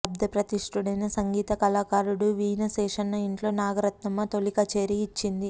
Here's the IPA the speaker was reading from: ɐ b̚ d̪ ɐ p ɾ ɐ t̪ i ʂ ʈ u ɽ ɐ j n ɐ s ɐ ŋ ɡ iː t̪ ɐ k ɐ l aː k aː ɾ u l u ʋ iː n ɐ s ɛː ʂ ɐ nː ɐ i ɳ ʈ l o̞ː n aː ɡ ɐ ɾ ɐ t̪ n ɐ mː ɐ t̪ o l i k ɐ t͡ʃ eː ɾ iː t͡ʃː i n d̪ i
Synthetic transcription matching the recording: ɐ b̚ d̪ ɐ p ɾ ɐ t̪ i ʂ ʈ u ɽ ɐ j n ɐ s ɐ ŋ ɡ iː t̪ ɐ k ɐ l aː k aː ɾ u ɽ u ʋ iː n ɐ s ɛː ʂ ɐ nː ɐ i ɳ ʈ l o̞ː n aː ɡ ɐ ɾ ɐ t̪ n ɐ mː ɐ t̪ o l i k ɐ t͡ʃ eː ɾ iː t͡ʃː i n d̪ i